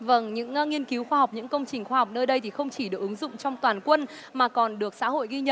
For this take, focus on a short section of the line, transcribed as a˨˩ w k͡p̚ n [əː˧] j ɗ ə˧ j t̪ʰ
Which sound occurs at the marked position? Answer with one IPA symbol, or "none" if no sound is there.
əː˧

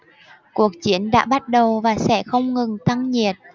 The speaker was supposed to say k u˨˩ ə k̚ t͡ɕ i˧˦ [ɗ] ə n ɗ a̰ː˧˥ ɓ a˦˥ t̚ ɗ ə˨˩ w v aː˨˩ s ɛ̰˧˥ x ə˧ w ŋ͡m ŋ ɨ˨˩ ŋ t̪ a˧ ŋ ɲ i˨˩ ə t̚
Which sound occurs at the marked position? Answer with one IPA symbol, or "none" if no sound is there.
none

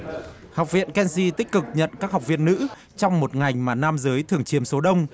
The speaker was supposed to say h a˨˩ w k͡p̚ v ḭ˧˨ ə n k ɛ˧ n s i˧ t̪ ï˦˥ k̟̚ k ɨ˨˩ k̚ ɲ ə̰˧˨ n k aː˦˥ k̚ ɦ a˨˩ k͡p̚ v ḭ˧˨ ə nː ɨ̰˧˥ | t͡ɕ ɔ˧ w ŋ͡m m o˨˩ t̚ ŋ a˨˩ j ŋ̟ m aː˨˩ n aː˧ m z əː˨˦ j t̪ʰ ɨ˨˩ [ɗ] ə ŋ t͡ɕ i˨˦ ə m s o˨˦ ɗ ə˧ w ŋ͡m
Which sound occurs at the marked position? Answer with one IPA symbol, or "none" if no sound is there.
none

